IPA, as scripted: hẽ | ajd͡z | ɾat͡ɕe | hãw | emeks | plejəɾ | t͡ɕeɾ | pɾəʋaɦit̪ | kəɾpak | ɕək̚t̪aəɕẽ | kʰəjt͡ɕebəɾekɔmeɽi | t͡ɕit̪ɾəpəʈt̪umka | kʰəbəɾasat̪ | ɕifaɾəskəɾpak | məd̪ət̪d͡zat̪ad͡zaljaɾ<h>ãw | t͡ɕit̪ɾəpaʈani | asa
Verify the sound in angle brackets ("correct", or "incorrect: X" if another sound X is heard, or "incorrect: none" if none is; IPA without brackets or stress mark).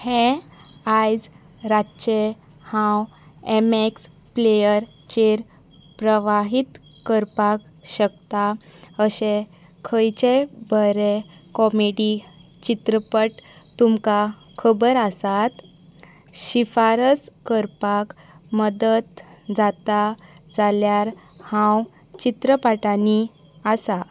correct